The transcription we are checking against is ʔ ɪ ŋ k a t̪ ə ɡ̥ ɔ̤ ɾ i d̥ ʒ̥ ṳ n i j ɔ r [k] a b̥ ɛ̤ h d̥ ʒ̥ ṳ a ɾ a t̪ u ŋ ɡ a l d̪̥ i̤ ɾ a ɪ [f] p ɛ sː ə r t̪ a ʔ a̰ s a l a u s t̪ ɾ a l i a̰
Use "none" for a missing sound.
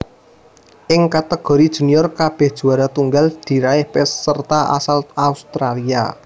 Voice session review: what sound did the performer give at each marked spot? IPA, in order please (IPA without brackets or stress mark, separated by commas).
k, h